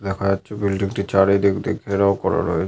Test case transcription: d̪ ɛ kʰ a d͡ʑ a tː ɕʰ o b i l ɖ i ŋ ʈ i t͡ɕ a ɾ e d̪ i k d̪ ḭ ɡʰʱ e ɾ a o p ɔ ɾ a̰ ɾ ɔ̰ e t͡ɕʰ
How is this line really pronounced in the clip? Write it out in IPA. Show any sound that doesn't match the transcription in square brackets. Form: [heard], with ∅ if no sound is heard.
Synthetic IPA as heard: d̪ ɛ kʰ a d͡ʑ a tː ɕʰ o b i l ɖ i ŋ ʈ i t͡ɕ a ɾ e d̪ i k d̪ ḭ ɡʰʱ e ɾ a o [k] ɔ ɾ a̰ ɾ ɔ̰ e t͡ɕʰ